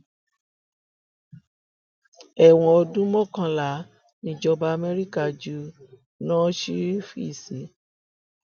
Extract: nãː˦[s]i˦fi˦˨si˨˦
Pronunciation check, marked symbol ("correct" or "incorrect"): incorrect